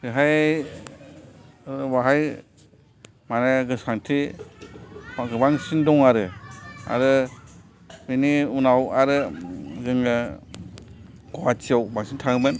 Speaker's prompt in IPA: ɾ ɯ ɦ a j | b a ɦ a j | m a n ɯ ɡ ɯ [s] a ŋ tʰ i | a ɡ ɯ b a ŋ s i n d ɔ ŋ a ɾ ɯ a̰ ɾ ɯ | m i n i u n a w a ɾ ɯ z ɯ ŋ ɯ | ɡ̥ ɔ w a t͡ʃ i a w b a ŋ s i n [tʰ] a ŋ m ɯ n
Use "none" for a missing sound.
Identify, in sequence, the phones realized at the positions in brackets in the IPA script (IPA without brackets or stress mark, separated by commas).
s, tʰ